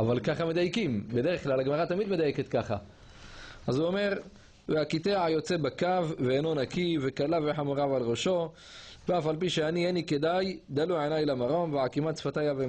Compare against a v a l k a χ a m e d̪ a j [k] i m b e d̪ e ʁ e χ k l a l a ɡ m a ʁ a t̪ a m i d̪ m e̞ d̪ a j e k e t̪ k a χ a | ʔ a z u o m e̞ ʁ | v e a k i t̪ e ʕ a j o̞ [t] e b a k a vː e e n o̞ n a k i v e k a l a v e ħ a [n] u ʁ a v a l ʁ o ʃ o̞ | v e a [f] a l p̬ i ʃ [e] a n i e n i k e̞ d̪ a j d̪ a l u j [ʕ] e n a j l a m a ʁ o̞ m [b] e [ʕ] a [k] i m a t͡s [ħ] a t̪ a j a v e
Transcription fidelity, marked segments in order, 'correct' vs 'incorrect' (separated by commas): correct, incorrect, incorrect, correct, correct, correct, incorrect, correct, correct, incorrect